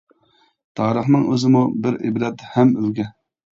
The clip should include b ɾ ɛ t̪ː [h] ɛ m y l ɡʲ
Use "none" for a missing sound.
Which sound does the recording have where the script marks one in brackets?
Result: h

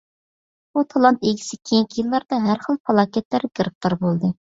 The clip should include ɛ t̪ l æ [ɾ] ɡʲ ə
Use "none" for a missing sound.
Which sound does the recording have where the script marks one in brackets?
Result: ɾ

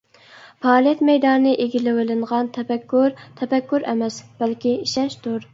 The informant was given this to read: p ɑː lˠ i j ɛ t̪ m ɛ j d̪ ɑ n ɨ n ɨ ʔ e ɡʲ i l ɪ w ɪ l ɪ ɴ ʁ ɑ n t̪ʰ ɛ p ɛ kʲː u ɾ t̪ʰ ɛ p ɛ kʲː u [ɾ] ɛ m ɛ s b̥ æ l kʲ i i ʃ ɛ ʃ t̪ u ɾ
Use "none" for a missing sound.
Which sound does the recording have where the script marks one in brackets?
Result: ɾ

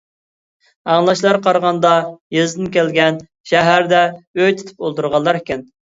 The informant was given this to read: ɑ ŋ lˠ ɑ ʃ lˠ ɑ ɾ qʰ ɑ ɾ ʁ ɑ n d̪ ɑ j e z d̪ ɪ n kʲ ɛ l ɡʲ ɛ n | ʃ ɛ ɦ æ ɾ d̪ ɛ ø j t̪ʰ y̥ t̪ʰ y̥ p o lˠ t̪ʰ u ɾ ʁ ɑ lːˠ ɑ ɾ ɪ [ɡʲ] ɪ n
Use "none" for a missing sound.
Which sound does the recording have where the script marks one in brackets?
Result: kʲ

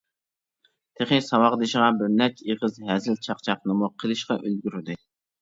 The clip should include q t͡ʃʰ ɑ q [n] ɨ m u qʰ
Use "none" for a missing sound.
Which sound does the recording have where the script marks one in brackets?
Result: n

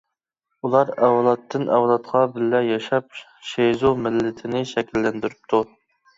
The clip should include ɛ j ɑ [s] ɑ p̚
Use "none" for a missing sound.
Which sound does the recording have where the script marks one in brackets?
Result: ʃ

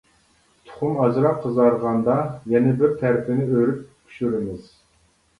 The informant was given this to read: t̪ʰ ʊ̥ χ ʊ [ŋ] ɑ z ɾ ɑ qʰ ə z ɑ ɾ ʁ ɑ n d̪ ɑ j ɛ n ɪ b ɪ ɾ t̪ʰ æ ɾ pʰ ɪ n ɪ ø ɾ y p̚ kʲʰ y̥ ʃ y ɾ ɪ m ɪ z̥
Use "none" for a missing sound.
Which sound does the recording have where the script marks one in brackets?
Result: m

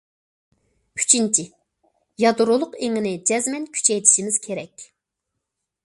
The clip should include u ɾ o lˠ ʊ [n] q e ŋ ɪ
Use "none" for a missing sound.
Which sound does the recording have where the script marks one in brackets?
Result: none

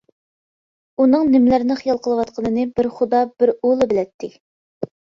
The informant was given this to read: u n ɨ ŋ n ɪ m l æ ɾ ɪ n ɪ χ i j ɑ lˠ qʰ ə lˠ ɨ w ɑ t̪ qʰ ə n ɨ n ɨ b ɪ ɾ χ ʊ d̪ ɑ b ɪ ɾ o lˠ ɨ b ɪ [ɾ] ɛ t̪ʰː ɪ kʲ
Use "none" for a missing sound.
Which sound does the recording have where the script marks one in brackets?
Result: l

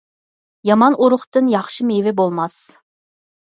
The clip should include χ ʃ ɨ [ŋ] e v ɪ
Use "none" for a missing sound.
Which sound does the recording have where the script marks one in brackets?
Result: m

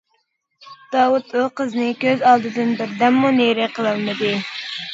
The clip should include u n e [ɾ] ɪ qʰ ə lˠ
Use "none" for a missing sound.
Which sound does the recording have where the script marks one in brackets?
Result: ɾ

